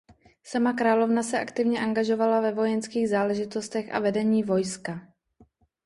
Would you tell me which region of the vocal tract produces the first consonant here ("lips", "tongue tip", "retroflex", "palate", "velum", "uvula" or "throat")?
tongue tip